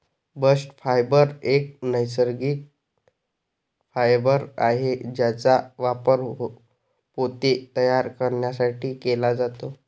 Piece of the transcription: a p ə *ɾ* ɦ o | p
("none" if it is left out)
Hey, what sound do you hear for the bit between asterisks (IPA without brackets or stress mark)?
ɾ